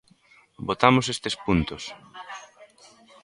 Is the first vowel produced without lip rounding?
no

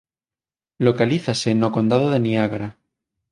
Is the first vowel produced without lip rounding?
no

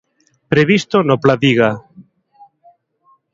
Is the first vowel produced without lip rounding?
yes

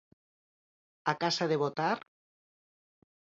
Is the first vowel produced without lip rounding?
yes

